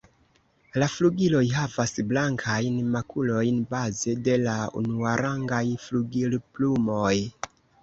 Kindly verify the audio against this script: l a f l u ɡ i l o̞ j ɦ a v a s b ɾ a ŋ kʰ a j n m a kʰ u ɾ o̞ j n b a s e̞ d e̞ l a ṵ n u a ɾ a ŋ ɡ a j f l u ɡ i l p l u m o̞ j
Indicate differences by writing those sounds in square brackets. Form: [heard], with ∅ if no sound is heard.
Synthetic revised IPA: l a f l u ɡ i l o̞ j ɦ a v a s b [l] a ŋ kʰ a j n m a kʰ u [l] o̞ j n b a [z] e̞ d e̞ l a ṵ n u a ɾ a ŋ ɡ a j f l u ɡ i l p l u m o̞ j